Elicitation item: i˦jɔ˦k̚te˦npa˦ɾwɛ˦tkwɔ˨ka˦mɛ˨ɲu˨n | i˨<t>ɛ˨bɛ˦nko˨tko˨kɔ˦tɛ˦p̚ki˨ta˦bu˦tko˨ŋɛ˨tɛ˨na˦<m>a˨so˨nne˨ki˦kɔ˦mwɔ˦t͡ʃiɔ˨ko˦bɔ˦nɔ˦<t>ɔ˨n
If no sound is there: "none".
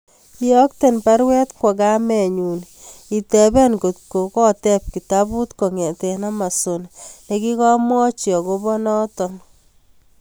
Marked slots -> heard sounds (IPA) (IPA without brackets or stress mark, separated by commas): t, m, t